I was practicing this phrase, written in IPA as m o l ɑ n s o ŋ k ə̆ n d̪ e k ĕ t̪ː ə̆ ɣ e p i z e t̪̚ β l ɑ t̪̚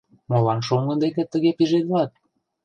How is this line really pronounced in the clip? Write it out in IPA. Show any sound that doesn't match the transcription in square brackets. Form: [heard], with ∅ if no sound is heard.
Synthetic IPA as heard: m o l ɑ n [ʃ] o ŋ [ɡ] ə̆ n d̪ e k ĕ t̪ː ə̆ ɣ e p i [ʒ] e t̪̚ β l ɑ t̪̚

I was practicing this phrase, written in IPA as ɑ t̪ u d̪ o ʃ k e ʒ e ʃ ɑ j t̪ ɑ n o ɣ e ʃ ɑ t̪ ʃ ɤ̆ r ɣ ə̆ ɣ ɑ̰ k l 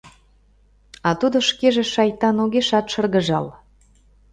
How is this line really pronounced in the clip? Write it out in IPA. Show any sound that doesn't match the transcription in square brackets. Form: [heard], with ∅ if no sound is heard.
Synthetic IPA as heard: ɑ t̪ u d̪ o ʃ k e ʒ e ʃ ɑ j t̪ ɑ n o ɣ e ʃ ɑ t̪ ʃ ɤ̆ r ɣ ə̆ [ʒ] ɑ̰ [∅] l

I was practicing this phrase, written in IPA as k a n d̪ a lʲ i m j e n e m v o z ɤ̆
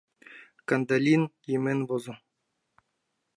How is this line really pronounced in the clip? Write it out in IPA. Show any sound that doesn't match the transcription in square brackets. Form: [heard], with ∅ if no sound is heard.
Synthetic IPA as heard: k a n d̪ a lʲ i [n] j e [m] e [n] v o z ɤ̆

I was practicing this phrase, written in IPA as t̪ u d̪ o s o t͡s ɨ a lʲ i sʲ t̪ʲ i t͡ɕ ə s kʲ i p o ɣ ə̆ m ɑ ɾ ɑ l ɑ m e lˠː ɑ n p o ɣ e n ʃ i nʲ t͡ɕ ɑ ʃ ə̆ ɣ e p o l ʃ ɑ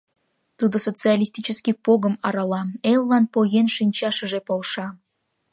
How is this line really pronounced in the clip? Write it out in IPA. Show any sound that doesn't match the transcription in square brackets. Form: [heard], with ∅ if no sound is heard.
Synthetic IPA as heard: t̪ u d̪ o s o t͡s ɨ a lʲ i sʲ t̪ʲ i t͡ɕ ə s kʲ i p o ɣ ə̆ m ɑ ɾ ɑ l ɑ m e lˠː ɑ n p o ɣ e n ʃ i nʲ t͡ɕ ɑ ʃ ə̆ [ʒ] e p o l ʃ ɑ

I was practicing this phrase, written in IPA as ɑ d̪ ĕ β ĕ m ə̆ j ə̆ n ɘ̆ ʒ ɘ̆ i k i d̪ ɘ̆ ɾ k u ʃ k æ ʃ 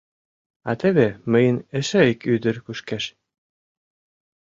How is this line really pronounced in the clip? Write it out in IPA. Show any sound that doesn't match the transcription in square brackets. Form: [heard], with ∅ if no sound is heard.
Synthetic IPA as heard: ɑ [t̪] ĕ β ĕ m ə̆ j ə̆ n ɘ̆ [ʃ] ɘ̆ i k [y] d̪ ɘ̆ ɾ k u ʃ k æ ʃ

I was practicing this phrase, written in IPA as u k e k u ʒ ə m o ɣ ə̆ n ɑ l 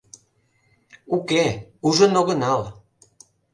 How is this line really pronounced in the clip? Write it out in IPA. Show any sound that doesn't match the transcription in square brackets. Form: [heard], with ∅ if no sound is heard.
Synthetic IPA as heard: u k e [∅] u ʒ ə [n] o ɣ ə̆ n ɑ l

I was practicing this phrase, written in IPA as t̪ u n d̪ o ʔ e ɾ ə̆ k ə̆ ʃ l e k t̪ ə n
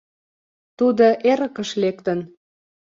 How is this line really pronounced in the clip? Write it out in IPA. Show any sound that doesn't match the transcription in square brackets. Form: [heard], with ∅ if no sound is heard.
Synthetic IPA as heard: t̪ u [∅] d̪ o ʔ e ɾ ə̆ k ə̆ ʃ l e k t̪ ə n

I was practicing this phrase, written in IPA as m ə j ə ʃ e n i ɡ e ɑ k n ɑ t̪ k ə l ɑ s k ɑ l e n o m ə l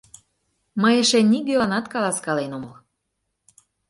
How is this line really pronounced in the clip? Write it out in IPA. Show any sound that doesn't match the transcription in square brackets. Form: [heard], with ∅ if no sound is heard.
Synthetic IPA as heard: m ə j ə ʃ e n i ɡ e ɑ [∅] n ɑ t̪ k [ɑ] l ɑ s k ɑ l e n o m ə l

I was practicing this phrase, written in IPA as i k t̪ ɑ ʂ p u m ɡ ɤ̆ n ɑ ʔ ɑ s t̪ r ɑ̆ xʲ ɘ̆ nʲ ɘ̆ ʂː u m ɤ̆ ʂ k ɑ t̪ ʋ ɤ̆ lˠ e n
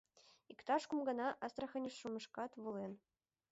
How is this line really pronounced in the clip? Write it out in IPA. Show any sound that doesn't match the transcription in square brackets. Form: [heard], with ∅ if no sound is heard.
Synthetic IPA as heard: i k t̪ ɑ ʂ [k] u m ɡ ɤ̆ n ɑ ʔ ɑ s t̪ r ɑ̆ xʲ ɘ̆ nʲ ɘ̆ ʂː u m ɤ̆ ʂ k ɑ t̪ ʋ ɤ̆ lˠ e n

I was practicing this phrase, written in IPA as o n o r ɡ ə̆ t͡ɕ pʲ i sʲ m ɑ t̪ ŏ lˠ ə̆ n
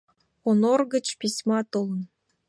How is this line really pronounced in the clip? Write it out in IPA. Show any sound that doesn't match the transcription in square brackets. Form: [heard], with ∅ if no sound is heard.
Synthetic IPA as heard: o n o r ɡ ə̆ t͡ɕ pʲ i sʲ m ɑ t̪ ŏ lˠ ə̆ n

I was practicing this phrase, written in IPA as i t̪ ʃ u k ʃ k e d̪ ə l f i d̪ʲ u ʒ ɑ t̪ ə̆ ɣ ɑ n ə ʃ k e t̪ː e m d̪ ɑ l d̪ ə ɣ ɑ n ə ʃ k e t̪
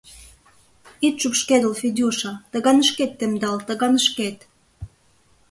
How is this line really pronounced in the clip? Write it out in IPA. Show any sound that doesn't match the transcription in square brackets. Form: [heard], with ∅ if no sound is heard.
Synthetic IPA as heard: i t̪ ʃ u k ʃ k e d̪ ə l f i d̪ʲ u [ʃ] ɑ t̪ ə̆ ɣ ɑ n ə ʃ k e t̪ː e m d̪ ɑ l [t̪] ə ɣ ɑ n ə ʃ k e t̪

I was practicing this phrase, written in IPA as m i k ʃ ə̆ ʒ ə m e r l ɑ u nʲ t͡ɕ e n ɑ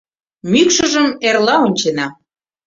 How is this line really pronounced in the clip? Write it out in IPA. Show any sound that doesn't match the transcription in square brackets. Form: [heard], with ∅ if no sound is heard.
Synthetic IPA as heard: m [y] k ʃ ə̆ ʒ ə m e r l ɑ [o] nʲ t͡ɕ e n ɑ

